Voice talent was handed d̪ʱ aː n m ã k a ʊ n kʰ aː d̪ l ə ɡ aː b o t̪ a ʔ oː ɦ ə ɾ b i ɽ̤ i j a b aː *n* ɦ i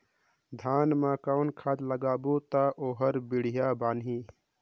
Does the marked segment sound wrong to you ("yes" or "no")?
no